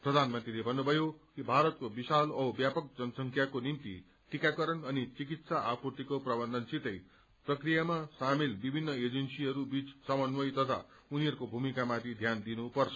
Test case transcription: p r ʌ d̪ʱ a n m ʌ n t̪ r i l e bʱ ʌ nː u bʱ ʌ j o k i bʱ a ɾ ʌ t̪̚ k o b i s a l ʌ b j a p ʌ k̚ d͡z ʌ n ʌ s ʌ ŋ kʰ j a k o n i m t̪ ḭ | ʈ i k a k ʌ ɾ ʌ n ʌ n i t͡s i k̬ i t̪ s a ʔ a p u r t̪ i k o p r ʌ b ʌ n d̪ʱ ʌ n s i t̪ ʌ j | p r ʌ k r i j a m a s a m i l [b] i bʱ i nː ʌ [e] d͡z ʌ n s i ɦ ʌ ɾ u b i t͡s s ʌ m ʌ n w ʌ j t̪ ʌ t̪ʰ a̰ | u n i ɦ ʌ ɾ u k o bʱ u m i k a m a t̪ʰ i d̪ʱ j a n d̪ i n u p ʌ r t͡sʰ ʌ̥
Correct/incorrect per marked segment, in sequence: correct, correct

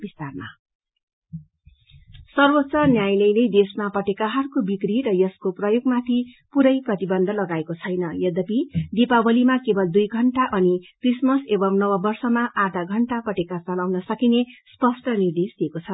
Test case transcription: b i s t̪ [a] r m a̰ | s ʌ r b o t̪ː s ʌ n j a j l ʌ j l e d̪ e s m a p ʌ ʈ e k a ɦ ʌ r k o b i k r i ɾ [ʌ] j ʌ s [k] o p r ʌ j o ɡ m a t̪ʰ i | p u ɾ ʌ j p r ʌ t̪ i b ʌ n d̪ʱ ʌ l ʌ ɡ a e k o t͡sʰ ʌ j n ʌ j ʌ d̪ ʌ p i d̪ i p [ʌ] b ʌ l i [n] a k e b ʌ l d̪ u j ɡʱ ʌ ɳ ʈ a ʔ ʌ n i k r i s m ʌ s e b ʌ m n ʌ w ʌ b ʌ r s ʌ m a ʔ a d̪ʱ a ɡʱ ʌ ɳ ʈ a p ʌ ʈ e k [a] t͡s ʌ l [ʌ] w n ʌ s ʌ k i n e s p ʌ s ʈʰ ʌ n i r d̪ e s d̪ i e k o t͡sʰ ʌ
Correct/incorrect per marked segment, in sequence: correct, correct, correct, incorrect: a, incorrect: m, correct, incorrect: a

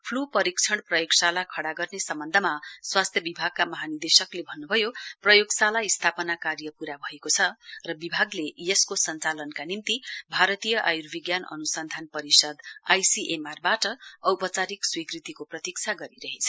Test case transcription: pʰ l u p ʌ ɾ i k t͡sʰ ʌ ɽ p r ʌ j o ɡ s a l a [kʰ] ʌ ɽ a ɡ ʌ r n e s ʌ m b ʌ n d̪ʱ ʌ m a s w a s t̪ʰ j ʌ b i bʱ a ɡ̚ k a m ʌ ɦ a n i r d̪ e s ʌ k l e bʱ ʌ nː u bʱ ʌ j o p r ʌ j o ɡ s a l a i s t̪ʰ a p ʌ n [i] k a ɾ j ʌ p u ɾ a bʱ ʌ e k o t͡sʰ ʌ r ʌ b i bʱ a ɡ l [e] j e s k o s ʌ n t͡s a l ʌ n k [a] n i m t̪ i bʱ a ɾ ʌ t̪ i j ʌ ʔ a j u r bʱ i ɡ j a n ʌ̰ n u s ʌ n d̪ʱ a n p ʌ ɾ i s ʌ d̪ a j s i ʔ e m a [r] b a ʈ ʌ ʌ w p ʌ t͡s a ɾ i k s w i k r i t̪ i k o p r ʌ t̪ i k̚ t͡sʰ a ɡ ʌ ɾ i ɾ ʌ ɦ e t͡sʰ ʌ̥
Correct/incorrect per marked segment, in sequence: correct, incorrect: a, correct, correct, correct

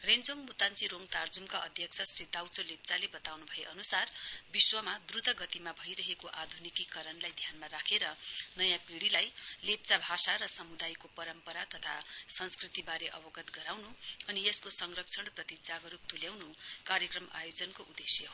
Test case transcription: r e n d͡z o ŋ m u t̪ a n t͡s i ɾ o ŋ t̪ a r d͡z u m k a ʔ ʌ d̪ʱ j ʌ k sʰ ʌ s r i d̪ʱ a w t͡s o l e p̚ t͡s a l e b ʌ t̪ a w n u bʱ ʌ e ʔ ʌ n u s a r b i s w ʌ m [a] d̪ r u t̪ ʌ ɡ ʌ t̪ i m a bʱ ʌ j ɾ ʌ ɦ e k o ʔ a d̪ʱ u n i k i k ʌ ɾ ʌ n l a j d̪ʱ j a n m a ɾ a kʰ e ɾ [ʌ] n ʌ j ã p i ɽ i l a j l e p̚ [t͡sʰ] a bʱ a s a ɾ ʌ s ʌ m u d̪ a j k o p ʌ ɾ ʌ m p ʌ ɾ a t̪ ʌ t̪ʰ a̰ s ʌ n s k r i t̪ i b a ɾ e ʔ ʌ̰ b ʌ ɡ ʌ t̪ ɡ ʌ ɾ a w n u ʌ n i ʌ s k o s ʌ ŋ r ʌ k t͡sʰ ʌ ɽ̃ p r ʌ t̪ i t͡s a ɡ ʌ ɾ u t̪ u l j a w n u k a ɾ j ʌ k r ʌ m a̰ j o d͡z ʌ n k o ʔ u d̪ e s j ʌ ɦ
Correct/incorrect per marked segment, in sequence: correct, correct, incorrect: t͡s

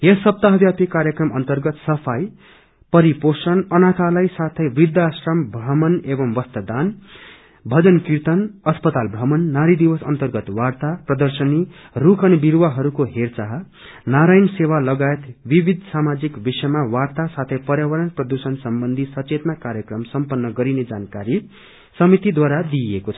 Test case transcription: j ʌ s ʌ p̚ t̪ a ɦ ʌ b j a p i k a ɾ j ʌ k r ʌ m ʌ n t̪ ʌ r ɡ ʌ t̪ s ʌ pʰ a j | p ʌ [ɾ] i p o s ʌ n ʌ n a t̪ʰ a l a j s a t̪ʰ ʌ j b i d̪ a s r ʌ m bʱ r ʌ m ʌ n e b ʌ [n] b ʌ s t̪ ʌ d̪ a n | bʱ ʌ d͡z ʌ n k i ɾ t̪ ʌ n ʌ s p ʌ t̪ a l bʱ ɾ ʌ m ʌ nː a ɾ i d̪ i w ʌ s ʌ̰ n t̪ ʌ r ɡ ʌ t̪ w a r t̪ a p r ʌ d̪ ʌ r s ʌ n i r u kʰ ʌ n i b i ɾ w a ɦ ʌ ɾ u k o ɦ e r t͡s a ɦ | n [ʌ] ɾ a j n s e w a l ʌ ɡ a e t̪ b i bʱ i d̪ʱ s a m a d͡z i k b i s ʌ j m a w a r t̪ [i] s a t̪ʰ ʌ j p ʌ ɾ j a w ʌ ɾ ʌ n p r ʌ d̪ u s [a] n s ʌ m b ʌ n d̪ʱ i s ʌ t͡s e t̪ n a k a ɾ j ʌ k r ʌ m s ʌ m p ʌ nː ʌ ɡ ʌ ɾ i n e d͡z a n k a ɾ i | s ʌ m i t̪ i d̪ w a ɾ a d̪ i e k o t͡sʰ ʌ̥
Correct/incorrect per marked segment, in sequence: correct, incorrect: m, incorrect: a, incorrect: a, incorrect: ʌ

